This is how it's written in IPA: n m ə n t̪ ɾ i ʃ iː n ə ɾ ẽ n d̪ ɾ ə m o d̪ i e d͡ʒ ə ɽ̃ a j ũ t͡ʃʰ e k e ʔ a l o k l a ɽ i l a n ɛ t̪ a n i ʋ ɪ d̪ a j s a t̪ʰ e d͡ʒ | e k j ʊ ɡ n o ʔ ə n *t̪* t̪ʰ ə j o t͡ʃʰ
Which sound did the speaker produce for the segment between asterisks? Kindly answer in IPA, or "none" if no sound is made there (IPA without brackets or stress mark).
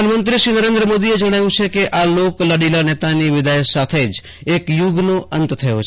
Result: t̪